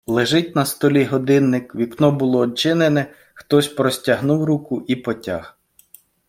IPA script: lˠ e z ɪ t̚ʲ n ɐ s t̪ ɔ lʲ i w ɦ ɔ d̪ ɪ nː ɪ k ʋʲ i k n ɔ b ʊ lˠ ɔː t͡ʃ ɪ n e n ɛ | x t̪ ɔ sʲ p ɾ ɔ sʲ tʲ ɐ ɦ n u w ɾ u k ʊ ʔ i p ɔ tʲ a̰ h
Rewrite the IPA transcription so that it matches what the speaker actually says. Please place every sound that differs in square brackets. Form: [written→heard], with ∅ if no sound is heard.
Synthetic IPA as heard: lˠ e [z→ʒ] ɪ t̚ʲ n ɐ s t̪ ɔ lʲ i [w→∅] ɦ ɔ d̪ ɪ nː ɪ k ʋʲ i k n ɔ b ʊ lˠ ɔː t͡ʃ ɪ n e n ɛ | x t̪ ɔ sʲ p ɾ ɔ sʲ tʲ ɐ ɦ n u w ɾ u k ʊ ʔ i p ɔ tʲ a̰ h